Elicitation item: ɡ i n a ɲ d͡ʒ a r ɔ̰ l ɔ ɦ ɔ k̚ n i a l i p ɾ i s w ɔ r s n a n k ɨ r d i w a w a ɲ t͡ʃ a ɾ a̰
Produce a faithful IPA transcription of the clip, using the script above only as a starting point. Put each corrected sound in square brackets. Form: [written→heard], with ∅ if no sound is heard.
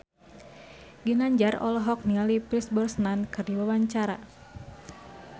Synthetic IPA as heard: ɡ i n a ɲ d͡ʒ a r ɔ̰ l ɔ ɦ ɔ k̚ n i a l i p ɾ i s [w→b] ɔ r s n a n k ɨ r d i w a w a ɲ t͡ʃ a ɾ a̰

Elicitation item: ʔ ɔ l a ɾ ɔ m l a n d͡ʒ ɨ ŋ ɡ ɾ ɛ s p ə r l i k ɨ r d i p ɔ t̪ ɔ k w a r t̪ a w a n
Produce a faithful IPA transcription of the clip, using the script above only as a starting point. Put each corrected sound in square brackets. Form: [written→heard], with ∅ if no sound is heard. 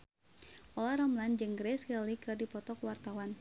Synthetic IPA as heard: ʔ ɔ l a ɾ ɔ m l a n d͡ʒ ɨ ŋ ɡ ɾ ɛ s [p→k] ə [r→∅] l i k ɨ r d i p ɔ t̪ ɔ k w a r t̪ a w a n

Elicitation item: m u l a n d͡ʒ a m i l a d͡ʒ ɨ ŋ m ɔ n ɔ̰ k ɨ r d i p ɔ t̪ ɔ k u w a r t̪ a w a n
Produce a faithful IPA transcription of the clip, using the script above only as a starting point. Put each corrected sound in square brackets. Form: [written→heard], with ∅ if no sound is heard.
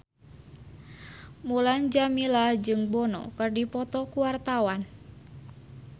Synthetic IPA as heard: m u l a n d͡ʒ a m i l a d͡ʒ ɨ ŋ [m→b] ɔ n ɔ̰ k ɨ r d i p ɔ t̪ ɔ k u w a r t̪ a w a n

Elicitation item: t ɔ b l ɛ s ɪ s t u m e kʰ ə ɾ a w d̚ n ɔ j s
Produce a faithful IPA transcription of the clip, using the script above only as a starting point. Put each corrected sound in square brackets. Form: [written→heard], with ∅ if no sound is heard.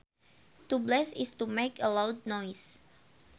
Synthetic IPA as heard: t [ɔ→u] b l ɛ s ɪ s t u m e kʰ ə [ɾ→l] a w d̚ n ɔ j s

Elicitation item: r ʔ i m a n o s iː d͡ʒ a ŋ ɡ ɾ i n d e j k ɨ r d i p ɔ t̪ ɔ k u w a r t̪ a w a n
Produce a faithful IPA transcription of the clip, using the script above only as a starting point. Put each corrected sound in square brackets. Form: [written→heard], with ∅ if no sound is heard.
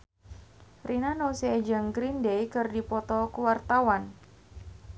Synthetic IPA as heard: r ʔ i [m→n] a n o s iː d͡ʒ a ŋ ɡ ɾ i n d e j k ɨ r d i p ɔ t̪ ɔ k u w a r t̪ a w a n

